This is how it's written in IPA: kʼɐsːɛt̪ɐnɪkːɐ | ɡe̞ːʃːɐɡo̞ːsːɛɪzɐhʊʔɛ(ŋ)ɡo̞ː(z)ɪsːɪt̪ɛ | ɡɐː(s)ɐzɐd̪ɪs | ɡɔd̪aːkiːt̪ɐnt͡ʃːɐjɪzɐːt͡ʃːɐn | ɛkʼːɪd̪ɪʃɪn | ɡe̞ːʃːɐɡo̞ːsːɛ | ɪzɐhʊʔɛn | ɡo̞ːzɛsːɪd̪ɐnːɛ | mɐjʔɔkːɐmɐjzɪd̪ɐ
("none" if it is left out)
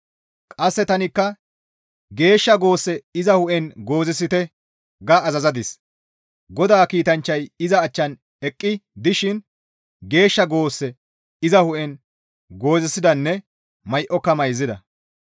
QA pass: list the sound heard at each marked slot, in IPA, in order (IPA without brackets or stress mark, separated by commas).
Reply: n, z, z